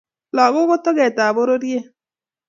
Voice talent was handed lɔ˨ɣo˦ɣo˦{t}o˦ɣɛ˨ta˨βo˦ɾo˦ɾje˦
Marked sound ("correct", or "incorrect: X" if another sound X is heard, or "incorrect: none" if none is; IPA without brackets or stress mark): correct